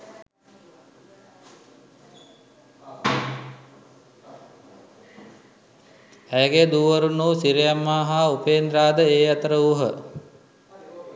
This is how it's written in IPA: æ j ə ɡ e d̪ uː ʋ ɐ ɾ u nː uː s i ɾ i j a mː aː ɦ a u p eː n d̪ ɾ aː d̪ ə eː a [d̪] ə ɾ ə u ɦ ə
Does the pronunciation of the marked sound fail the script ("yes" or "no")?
yes